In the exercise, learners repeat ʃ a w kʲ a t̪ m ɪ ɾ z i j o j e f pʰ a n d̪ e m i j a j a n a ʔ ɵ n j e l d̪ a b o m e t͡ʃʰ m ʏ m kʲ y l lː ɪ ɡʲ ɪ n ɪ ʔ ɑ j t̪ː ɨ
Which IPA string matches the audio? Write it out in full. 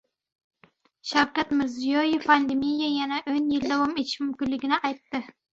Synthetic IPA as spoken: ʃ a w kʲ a t̪ m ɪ ɾ z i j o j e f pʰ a n d̪ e m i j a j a n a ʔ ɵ n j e l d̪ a w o m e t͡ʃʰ m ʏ m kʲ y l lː ɪ ɡʲ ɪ n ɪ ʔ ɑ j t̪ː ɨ